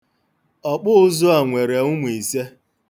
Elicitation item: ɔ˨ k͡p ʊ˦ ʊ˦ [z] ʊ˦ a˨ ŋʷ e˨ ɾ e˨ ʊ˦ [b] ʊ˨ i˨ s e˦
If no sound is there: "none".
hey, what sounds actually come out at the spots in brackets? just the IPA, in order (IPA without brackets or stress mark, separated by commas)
z, m